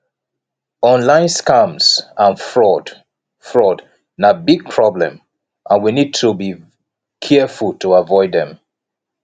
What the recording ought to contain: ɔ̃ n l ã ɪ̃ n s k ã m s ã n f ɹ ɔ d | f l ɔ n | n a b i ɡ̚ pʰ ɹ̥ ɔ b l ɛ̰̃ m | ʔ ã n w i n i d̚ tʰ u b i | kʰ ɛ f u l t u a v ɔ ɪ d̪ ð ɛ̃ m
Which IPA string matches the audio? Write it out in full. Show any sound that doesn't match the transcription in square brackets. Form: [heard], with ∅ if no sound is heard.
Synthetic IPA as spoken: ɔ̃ n l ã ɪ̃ n s k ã m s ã n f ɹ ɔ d | f [ɹ] ɔ [d] | n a b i ɡ̚ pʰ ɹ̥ ɔ b l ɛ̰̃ m | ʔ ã n w i n i d̚ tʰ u b i | kʰ ɛ f u l t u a v ɔ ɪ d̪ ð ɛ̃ m

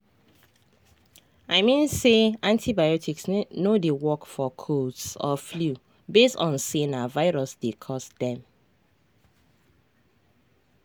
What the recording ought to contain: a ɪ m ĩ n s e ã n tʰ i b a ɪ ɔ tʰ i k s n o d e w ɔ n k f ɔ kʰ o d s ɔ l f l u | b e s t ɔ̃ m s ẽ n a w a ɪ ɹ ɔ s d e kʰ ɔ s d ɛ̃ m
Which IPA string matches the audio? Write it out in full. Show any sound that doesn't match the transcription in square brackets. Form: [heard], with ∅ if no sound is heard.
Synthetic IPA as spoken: a ɪ m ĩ n s e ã n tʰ i b a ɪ ɔ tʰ i k s n o d e w ɔ [∅] k f ɔ kʰ o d s ɔ [∅] f l u | b e s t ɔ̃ [n] s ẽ n a [v] a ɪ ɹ ɔ s d e kʰ ɔ s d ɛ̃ m

